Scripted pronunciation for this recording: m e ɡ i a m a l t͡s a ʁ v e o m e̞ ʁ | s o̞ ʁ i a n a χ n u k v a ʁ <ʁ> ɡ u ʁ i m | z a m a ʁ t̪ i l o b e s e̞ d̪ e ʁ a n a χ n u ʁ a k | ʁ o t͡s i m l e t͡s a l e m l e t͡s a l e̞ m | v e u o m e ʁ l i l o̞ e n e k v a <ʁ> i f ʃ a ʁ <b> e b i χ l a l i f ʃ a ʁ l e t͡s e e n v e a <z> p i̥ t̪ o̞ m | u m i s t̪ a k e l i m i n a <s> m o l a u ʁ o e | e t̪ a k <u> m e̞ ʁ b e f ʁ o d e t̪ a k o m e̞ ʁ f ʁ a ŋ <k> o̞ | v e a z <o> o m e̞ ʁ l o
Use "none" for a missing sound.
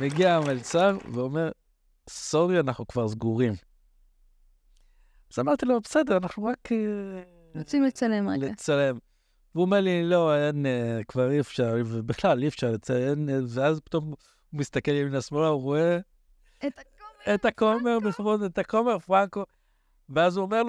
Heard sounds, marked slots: z, ʁ, v, z, s, o, k, u

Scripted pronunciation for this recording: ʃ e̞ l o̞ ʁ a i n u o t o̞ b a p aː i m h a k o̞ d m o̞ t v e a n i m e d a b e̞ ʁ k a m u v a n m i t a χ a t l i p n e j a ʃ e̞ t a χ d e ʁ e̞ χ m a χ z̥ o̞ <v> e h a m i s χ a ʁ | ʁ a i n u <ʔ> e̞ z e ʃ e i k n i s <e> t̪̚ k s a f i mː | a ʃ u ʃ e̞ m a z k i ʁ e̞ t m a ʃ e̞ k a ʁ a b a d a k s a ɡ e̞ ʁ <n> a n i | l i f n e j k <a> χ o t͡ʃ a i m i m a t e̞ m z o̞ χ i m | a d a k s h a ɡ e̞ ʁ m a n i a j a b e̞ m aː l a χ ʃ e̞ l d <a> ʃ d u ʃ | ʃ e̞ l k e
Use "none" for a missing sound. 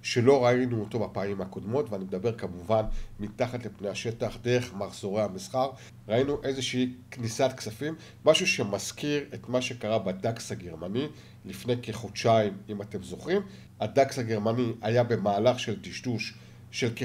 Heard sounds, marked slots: ʁ, ʔ, a, m, e, i

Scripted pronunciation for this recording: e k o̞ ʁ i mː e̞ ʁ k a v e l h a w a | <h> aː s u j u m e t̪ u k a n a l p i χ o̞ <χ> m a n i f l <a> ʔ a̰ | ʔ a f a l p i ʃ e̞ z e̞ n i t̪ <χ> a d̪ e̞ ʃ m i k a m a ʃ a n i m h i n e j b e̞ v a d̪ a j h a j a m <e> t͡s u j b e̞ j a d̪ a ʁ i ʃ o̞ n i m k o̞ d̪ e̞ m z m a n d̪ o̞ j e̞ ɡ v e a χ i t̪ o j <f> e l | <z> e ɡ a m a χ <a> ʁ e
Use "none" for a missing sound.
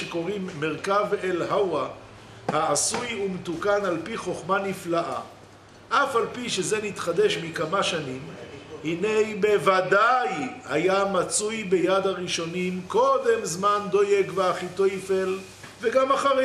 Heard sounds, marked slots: h, χ, a, χ, a, f, v, a

